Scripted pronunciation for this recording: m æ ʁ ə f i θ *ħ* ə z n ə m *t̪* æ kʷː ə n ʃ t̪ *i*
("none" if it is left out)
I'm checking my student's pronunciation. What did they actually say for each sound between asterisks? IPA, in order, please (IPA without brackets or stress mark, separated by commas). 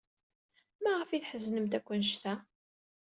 ħ, t̪, æ